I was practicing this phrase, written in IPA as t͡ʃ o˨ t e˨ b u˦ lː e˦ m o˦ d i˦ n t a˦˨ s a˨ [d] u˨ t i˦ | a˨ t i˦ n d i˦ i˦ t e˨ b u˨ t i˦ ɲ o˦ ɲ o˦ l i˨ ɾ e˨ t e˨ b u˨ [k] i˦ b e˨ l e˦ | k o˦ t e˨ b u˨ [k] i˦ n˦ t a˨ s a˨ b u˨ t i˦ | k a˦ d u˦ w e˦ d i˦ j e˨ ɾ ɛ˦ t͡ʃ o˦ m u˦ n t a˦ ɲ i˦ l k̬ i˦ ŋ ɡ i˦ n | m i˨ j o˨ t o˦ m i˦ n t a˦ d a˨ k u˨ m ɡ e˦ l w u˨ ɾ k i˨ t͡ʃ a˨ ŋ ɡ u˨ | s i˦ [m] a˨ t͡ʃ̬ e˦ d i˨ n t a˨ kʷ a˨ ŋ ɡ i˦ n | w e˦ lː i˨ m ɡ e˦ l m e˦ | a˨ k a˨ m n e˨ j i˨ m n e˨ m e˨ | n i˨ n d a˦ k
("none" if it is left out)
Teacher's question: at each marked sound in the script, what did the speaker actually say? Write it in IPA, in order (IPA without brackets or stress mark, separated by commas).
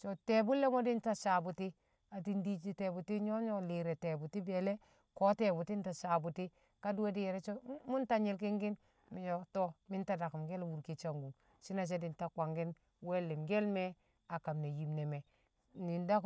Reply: b, t, t, n